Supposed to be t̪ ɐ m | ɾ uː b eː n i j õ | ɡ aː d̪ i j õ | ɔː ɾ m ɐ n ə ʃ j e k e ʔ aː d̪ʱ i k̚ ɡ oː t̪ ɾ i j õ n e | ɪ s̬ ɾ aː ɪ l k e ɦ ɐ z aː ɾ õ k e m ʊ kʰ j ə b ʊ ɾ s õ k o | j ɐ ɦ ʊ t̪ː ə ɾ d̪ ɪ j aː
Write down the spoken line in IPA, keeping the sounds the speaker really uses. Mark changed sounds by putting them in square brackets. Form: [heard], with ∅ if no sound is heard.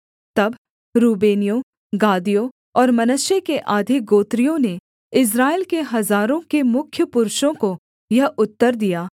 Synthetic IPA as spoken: t̪ ɐ [b] | ɾ uː b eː n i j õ | ɡ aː d̪ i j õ | ɔː ɾ m ɐ n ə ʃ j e k e ʔ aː d̪ʱ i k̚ ɡ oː t̪ ɾ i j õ n e | ɪ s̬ ɾ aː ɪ l k e ɦ ɐ z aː ɾ õ k e m ʊ kʰ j ə [p] ʊ ɾ [ʃ] õ k o | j ɐ ɦ ʊ t̪ː ə ɾ d̪ [i] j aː